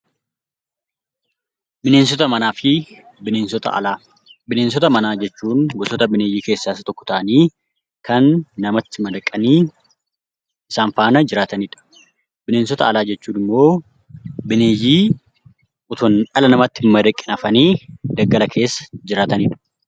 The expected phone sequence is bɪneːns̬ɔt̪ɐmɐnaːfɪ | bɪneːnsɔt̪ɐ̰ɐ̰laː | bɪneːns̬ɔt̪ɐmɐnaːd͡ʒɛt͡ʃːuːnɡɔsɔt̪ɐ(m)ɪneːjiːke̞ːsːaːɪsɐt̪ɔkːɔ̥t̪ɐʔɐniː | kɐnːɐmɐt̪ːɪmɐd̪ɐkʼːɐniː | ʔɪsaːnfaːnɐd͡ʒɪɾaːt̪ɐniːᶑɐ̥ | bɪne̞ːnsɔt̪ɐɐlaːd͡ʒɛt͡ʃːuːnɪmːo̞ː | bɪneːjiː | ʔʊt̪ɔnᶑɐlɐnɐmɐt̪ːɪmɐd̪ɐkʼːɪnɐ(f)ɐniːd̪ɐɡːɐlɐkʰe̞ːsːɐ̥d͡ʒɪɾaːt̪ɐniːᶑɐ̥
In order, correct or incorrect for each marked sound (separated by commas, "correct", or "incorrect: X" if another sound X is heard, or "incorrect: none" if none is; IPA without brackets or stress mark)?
incorrect: b, correct